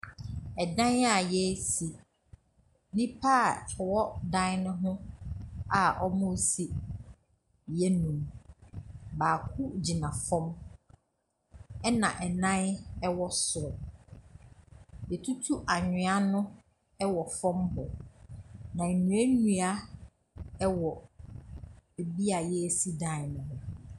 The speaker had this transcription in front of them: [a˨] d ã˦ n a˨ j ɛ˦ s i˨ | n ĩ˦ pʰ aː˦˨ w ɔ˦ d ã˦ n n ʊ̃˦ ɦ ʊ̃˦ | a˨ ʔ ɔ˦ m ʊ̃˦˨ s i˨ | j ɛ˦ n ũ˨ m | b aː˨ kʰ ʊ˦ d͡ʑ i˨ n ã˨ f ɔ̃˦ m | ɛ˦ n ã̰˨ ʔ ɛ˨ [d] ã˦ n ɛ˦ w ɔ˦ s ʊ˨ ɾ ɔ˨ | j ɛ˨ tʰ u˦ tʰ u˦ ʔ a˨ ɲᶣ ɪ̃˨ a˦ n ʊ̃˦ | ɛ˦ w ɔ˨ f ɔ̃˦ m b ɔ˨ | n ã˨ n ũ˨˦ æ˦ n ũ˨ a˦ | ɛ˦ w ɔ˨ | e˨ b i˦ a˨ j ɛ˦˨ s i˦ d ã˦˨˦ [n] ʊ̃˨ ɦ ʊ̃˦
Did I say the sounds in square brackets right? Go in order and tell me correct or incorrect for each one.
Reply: incorrect: ɛ˨, incorrect: n, correct

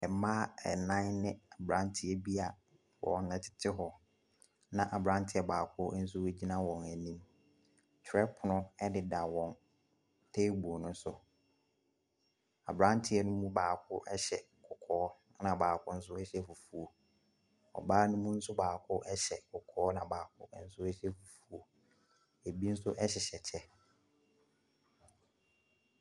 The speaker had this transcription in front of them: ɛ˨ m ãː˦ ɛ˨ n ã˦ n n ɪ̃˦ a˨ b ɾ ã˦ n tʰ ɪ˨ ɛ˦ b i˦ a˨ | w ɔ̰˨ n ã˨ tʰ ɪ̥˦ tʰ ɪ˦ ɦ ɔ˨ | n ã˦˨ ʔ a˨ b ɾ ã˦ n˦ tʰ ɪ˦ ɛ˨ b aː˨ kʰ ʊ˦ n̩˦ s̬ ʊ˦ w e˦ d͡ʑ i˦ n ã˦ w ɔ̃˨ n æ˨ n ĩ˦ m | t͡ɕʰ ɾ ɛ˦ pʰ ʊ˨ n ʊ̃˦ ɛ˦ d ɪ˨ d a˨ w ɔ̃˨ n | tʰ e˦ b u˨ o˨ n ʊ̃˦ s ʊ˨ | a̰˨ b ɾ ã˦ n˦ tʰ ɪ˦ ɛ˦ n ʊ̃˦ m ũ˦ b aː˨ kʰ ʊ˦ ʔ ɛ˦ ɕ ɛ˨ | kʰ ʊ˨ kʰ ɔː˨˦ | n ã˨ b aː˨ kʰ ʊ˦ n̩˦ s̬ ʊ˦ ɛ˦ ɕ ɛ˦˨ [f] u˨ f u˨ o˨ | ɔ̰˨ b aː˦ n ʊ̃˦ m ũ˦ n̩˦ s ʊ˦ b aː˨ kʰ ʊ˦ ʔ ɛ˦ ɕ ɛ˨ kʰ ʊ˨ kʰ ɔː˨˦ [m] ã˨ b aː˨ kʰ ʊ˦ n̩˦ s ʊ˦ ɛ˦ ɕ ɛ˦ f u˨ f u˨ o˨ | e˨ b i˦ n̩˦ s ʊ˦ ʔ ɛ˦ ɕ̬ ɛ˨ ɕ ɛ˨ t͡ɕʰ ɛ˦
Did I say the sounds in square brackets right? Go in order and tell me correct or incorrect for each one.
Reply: correct, incorrect: n

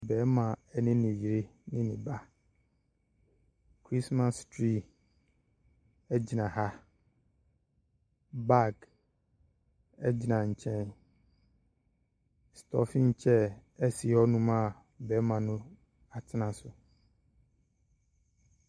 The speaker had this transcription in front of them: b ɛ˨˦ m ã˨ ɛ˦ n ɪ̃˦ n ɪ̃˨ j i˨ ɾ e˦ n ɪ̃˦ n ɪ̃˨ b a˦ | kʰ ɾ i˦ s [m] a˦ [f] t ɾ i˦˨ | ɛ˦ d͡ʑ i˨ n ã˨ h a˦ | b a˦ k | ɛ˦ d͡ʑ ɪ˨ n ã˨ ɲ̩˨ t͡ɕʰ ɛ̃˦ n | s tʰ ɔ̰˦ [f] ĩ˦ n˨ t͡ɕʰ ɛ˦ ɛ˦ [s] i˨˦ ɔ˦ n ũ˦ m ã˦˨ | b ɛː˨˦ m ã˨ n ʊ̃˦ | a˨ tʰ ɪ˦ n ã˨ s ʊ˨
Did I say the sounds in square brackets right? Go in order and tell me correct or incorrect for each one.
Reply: correct, incorrect: s, correct, correct

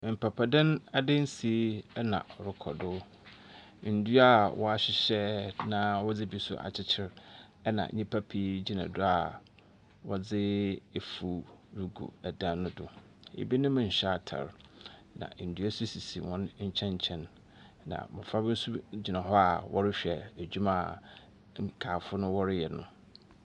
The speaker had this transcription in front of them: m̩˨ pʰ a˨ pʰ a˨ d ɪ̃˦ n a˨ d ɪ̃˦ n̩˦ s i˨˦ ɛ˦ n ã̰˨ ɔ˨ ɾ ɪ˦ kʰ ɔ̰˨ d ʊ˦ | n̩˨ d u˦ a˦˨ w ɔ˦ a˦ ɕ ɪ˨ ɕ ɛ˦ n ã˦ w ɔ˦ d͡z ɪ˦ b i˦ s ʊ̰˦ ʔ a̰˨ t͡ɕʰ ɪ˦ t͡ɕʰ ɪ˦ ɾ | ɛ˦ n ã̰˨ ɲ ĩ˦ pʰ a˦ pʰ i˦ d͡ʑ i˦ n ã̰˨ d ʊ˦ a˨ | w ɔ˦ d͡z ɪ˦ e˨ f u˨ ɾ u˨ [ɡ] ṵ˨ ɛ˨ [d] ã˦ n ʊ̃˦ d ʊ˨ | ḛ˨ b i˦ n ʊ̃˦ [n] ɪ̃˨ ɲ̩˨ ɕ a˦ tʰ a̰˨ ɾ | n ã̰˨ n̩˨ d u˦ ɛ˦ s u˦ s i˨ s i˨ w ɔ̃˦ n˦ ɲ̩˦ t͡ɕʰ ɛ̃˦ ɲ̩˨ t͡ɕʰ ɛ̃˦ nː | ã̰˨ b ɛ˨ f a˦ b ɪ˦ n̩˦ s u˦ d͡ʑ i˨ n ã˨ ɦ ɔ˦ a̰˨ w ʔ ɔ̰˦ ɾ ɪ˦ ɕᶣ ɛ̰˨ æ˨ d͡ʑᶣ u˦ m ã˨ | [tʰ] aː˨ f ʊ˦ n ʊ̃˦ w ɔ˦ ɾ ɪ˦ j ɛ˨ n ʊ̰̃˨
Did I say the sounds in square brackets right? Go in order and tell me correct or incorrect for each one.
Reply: correct, correct, incorrect: m, incorrect: kʰ

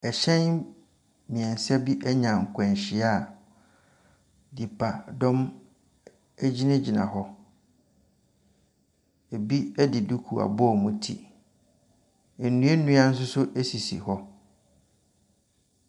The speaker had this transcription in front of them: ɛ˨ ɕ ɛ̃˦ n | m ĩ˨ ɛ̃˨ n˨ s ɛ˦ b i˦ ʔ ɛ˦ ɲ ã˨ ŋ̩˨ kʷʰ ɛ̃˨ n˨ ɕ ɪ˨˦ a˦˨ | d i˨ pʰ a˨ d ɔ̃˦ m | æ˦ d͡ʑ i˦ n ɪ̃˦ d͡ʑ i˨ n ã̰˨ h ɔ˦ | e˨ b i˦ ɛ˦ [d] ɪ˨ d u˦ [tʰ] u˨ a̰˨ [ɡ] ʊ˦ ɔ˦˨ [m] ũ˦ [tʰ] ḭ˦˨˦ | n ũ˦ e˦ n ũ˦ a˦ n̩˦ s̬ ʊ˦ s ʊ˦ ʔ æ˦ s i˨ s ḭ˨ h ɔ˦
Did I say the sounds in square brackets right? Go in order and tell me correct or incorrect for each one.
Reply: correct, incorrect: kʰ, incorrect: b, correct, correct

